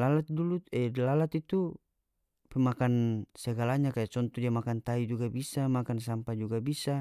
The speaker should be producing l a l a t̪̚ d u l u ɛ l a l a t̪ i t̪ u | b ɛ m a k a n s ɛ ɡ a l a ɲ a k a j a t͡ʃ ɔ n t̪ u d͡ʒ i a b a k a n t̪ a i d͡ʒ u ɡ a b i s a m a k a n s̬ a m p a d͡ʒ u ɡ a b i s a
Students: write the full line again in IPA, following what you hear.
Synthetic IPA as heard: l a l a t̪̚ d u l u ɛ l a l a t̪ i t̪ u | p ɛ m a k a n s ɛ ɡ a l a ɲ a k a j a t͡ʃ ɔ n t̪ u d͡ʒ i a m a k a n t̪ a i d͡ʒ u ɡ a b i s a m a k a n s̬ a m p a d͡ʒ u ɡ a b i s a